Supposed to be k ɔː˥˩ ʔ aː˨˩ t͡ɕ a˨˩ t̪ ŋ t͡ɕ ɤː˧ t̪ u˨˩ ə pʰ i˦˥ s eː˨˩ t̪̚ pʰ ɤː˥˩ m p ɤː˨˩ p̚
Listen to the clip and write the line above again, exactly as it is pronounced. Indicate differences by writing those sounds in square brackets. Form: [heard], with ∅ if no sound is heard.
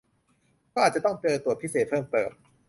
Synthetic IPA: k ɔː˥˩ ʔ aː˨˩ t͡ɕ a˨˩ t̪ ŋ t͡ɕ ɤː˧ t̪ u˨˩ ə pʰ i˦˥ s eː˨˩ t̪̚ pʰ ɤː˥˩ m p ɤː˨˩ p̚